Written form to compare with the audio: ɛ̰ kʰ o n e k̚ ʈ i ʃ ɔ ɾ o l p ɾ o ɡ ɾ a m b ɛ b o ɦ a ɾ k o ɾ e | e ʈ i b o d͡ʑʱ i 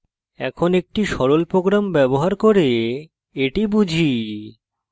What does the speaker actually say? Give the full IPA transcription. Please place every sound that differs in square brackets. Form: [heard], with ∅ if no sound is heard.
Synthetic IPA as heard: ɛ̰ kʰ o n e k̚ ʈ i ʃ ɔ ɾ o l p ɾ o ɡ ɾ a m b ɛ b o ɦ a ɾ k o ɾ e | e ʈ i b [u] d͡ʑʱ i

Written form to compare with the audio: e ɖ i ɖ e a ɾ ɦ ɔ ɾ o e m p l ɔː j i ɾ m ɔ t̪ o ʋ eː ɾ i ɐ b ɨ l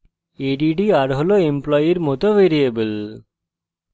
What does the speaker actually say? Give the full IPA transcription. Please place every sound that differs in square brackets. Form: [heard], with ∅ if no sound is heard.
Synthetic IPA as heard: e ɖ i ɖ [i] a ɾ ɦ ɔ [l] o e m p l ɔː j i ɾ m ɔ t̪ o ʋ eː ɾ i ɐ b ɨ l

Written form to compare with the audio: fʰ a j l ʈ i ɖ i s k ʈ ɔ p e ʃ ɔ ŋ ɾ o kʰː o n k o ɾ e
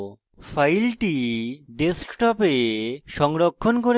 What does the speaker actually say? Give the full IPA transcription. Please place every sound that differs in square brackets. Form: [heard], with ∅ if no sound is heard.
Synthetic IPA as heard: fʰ a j l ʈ i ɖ [e] s k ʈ ɔ p e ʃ ɔ ŋ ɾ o kʰː o n k o ɾ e

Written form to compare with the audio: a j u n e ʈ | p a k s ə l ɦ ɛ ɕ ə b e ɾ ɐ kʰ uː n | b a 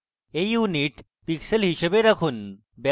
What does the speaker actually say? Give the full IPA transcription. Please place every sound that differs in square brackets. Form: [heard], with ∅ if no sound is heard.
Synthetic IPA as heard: [e] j u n [i] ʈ | p [i] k s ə l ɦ [i] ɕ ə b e ɾ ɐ kʰ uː n | b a

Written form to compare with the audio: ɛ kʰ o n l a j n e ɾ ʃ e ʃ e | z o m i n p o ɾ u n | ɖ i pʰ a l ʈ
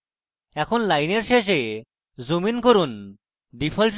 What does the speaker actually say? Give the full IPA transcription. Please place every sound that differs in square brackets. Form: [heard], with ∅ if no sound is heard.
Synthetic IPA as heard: ɛ kʰ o n l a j n e ɾ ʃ e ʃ e | z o m i n [k] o ɾ u n | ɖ i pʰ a l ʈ

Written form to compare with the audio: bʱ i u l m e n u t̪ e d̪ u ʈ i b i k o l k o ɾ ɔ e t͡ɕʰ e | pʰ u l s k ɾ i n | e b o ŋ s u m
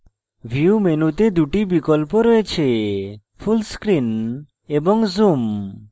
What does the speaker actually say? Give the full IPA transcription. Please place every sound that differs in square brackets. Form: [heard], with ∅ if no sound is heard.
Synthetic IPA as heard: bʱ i u [∅] m e n u t̪ e d̪ u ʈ i b i k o l [p] o ɾ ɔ e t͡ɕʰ e | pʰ u l s k ɾ i n | e b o ŋ [z] u m

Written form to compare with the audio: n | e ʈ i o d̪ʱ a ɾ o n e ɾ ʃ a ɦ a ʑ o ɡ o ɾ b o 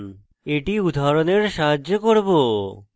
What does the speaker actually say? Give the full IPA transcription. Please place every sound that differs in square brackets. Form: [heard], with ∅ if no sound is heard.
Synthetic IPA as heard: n | e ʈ i [u] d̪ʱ a ɾ o n e ɾ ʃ a ɦ a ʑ o [k] o ɾ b o

